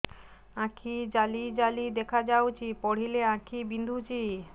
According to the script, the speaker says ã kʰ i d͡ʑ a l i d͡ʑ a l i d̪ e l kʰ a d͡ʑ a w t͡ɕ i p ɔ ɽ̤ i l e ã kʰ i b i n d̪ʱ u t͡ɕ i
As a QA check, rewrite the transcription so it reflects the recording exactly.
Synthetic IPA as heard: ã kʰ i d͡ʑ a l i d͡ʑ a l i d̪ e kʰ a d͡ʑ a w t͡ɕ i p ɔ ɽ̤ i l e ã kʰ i b i n d̪ʱ u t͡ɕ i